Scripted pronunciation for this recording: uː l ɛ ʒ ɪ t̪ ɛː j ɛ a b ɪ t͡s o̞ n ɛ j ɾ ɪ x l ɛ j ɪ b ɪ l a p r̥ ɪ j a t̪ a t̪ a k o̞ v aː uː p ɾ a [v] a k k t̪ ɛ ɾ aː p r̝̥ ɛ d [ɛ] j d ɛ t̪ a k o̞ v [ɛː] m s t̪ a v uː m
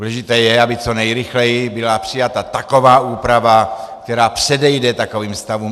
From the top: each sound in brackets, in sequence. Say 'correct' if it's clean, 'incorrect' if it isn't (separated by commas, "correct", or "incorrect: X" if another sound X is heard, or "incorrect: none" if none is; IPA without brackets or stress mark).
correct, correct, incorrect: iː